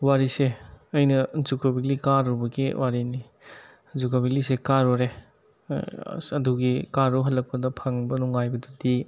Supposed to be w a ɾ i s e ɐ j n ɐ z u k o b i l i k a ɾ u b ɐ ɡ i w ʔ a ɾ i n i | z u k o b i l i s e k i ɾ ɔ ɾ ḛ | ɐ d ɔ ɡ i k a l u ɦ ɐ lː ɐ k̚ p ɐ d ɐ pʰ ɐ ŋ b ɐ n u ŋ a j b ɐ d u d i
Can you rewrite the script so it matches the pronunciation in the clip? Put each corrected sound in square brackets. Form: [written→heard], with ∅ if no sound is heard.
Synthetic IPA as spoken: w a ɾ i s e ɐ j n ɐ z u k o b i l i k a ɾ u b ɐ ɡ i w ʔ a ɾ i n i | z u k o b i l i s e k [i→a] ɾ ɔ ɾ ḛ | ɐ d [ɔ→u] ɡ i k a [l→ɾ] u ɦ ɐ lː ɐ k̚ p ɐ d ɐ pʰ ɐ ŋ b ɐ n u ŋ a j b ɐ d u d i

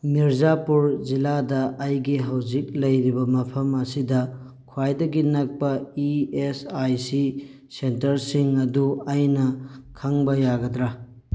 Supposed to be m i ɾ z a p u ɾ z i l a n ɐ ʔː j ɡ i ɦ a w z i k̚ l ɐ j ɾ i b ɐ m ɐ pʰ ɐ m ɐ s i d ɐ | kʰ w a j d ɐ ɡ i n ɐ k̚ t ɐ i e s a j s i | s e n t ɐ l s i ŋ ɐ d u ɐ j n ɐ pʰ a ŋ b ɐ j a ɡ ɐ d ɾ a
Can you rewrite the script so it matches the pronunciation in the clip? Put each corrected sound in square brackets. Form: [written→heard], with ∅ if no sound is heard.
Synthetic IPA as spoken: m i ɾ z a p u ɾ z i l a [n→d] ɐ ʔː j ɡ i ɦ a w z i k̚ l ɐ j ɾ i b ɐ m ɐ pʰ ɐ m ɐ s i d ɐ | kʰ w a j d ɐ ɡ i n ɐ k̚ [t→p] ɐ i e s a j s i | s e n t ɐ [l→ɾ] s i ŋ ɐ d u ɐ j n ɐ [pʰ→kʰ] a ŋ b ɐ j a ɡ ɐ d ɾ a

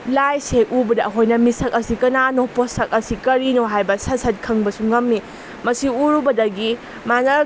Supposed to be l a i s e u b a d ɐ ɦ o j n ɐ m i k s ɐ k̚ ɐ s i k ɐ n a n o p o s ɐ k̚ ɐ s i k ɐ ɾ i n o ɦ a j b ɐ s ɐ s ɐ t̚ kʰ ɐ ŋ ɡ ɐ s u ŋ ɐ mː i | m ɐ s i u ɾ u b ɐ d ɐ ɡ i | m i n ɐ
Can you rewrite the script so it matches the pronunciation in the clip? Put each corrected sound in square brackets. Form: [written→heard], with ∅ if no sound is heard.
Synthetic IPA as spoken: l a [i→j] s e u b [a→ɐ] d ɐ ɦ o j n ɐ m i [k→∅] s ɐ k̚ ɐ s i k ɐ n a n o p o s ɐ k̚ ɐ s i k ɐ ɾ i n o ɦ a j b ɐ s ɐ s ɐ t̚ kʰ ɐ ŋ [ɡ→b] ɐ s u ŋ ɐ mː i | m ɐ s i u ɾ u b ɐ d ɐ ɡ i | m [i→a] n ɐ

